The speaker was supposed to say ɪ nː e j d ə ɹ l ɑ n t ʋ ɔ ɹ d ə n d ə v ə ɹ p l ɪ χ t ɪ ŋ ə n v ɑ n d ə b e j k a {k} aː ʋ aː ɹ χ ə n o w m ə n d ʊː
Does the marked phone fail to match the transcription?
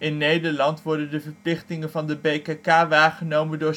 no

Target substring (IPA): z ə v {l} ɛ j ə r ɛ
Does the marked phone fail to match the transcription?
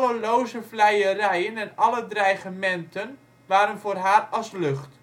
no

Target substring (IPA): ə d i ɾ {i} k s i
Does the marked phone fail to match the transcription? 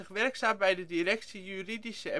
yes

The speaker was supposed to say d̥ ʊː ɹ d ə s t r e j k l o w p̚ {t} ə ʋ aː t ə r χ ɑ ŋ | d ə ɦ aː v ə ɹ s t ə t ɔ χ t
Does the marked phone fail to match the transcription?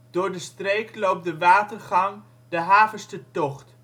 yes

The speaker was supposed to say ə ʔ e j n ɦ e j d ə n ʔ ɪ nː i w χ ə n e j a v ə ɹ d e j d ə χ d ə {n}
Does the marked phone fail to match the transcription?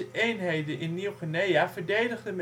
yes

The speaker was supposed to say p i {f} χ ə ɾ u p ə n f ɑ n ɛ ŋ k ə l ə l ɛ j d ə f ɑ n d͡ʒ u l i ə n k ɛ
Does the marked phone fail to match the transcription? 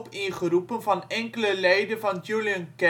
yes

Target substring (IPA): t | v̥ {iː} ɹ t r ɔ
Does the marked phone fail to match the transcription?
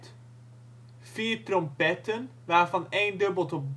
no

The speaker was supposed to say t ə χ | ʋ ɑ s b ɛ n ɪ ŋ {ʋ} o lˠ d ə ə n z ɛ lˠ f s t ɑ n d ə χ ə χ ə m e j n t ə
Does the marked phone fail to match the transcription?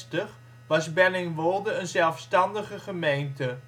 no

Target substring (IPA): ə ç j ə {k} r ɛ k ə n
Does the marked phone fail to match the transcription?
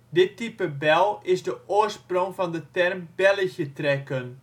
yes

